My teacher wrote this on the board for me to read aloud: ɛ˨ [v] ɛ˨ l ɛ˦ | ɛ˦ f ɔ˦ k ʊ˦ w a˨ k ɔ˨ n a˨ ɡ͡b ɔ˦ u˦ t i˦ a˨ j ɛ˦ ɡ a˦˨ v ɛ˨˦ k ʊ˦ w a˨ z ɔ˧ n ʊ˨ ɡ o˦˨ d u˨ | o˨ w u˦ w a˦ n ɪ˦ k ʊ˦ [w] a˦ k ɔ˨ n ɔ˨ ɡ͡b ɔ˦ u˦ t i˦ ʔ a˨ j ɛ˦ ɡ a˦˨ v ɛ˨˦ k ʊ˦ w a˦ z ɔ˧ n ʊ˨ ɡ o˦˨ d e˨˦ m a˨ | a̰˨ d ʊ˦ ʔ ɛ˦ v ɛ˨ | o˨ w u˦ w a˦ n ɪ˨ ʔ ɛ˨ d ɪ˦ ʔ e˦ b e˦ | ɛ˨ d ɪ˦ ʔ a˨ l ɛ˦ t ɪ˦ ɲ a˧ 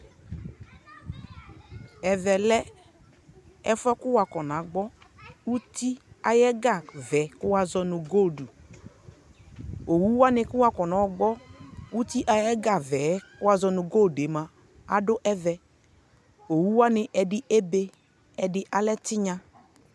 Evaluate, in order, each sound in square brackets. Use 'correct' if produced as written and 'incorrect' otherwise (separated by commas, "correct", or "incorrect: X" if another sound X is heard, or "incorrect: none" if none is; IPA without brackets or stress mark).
correct, correct